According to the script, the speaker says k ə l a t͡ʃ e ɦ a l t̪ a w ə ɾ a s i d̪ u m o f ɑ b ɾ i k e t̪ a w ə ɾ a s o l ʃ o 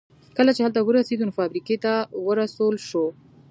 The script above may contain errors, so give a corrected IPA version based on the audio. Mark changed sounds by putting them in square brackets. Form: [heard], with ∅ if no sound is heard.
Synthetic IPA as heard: k ə l a t͡ʃ e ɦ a l t̪ a w ə ɾ a s [e] d̪ u [n] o f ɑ b ɾ i k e t̪ a w ə ɾ a s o l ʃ o